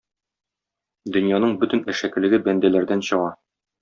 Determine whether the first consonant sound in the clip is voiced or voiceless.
voiced